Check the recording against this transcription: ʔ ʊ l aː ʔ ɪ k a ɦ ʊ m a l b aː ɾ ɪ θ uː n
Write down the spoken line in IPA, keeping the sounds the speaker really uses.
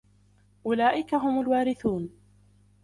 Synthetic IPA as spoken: ʔ ʊ l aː ʔ ɪ k a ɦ ʊ m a l w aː ɾ ɪ θ uː n